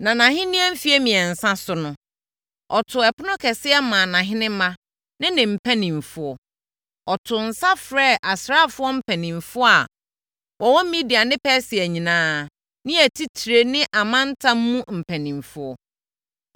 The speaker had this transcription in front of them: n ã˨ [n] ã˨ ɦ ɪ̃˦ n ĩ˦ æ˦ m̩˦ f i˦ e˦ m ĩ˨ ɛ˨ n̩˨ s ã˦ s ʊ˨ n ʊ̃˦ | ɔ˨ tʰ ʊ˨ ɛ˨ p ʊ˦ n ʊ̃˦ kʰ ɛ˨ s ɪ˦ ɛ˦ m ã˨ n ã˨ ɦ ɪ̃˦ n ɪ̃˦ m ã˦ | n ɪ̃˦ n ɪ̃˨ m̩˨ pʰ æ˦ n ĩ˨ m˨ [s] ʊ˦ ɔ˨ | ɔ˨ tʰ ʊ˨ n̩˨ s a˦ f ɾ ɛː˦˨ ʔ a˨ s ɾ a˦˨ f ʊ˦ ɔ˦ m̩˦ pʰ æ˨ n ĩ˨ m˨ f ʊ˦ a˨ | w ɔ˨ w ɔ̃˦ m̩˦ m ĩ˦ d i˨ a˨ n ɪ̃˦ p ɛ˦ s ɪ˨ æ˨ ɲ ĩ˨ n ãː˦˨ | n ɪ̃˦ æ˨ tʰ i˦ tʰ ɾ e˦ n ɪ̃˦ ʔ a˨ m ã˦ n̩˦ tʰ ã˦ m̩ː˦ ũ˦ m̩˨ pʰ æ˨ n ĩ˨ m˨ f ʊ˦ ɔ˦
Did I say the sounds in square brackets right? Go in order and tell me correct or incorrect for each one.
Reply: correct, incorrect: f

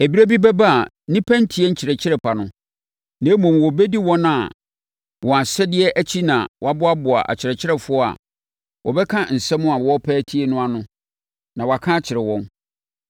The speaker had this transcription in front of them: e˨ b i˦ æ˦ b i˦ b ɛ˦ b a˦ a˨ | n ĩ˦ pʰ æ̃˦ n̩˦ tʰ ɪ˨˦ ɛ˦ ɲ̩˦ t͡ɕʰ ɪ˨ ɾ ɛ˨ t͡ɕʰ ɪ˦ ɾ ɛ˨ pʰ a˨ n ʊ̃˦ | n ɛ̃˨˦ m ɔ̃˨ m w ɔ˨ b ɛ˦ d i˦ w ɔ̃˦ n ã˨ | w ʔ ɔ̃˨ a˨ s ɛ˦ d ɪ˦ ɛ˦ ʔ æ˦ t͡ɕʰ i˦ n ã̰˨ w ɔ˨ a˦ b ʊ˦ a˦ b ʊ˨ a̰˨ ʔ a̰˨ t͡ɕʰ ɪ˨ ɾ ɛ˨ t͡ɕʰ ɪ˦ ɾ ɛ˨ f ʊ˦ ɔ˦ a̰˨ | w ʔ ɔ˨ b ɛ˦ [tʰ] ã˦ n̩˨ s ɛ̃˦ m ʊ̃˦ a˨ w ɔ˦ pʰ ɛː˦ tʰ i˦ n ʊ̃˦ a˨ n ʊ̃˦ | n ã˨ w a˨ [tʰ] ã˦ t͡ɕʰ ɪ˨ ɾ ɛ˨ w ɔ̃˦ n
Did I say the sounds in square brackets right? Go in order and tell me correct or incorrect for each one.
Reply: incorrect: kʰ, incorrect: kʰ

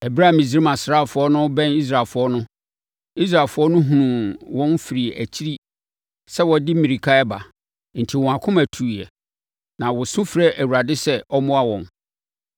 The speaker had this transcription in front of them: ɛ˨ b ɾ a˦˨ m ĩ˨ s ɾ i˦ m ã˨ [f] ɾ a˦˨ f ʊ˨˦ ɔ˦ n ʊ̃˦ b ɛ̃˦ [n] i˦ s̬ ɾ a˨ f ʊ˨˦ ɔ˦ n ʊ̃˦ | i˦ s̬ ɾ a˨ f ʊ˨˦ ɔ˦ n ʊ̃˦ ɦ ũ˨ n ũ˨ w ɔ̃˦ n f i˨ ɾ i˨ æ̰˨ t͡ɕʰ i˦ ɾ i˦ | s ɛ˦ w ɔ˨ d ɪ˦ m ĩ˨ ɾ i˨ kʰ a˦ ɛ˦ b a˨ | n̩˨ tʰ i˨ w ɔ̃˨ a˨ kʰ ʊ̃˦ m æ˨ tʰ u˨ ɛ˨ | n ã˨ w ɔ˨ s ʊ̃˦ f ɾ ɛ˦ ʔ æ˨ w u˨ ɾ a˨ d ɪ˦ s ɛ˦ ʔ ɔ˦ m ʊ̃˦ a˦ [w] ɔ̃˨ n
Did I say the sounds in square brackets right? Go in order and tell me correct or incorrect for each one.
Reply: incorrect: s, correct, correct

